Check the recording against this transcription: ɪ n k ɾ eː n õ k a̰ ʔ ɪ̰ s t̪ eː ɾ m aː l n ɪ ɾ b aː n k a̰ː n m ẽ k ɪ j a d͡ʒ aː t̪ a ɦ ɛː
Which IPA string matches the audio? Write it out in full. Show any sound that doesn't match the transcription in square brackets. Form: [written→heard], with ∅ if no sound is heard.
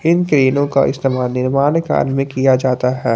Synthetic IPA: ɪ n k ɾ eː n õ k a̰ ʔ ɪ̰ s t̪ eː [ɾ→∅] m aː l n ɪ ɾ [b→m] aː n k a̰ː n m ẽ k [ɪ→i] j a d͡ʒ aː t̪ a ɦ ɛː